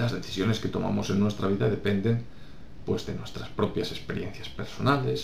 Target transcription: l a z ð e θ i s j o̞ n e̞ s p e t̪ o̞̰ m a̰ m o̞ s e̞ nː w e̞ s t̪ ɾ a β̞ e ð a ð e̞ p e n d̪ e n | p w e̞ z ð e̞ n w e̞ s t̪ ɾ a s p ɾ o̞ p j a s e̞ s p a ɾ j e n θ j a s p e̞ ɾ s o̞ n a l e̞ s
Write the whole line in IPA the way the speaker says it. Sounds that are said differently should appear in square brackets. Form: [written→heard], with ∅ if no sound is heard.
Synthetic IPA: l a z ð e θ i s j o̞ n e̞ s [p→k] e t̪ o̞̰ m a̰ m o̞ s e̞ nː w e̞ s t̪ ɾ a β̞ [e→i] ð a ð e̞ p e n d̪ e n | p w e̞ z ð e̞ n w e̞ s t̪ ɾ a s p ɾ o̞ p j a s e̞ s p [a→e] ɾ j e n θ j a s p e̞ ɾ s o̞ n a l e̞ s